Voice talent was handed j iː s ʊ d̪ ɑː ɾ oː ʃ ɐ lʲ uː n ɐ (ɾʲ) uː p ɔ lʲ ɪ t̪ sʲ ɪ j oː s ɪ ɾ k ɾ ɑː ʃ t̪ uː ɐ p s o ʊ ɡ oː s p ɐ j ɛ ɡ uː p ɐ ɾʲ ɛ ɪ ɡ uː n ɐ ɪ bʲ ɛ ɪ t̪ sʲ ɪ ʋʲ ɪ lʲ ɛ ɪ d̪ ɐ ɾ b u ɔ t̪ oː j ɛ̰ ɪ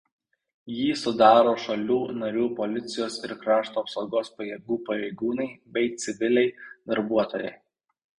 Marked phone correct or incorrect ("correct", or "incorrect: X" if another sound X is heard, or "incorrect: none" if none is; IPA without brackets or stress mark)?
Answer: correct